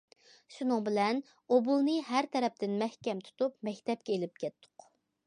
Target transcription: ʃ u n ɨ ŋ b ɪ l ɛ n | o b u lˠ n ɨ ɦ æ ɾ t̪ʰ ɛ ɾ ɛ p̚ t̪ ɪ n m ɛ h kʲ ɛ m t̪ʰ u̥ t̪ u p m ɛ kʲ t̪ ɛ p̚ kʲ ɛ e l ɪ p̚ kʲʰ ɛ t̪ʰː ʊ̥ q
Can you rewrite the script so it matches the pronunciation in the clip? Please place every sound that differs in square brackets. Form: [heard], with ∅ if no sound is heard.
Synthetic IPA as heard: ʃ u n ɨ ŋ b ɪ l ɛ n | o b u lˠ n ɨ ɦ æ ɾ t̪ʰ ɛ ɾ ɛ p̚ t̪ ɪ n m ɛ h kʲ ɛ m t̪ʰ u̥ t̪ u p m ɛ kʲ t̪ ɛ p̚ kʲ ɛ e l ɪ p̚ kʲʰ ɛ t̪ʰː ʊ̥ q